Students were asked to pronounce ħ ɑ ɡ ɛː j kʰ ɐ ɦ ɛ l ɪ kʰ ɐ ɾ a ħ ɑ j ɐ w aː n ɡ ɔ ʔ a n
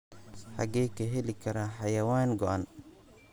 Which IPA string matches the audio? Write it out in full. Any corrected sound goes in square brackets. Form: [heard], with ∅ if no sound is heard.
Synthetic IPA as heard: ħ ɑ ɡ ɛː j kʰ ɐ ɦ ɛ l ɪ kʰ ɐ ɾ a ħ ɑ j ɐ w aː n ɡ ɔ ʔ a n